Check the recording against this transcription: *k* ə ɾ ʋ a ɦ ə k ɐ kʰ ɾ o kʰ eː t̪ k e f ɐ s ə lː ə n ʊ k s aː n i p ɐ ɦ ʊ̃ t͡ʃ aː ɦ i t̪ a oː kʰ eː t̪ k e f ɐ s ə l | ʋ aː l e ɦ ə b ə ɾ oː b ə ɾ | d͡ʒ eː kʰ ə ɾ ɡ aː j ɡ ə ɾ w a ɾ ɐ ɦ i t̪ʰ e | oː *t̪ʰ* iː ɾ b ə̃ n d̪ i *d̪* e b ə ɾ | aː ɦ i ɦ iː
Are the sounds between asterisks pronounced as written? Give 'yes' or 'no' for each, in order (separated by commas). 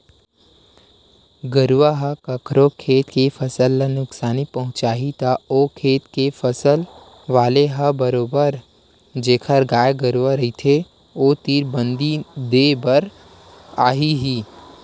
no, no, yes